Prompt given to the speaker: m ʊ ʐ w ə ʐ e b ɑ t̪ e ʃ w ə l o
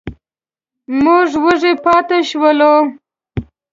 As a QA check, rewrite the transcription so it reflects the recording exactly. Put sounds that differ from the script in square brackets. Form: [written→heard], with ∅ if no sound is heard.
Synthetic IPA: m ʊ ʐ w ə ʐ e [b→p] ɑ t̪ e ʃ w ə l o